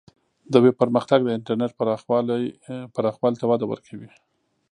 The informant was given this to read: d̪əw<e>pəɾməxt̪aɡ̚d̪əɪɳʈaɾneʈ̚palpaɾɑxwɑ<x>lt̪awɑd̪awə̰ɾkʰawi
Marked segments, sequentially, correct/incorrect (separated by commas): correct, incorrect